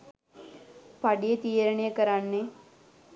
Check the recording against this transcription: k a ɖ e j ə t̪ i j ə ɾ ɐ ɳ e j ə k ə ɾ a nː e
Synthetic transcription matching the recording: p a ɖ i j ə t̪ i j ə ɾ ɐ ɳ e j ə k ə ɾ a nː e